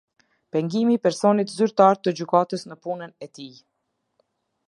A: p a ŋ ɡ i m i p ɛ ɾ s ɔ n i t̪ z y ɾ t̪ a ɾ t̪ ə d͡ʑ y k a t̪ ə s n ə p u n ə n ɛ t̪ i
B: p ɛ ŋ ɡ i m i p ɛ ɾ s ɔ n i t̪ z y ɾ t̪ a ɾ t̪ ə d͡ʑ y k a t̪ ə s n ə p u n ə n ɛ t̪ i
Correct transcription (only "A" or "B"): B